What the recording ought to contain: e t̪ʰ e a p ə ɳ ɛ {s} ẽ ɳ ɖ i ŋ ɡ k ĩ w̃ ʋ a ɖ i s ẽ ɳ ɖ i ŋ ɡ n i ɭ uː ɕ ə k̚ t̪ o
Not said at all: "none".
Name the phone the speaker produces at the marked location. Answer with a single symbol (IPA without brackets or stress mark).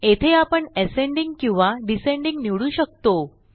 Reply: s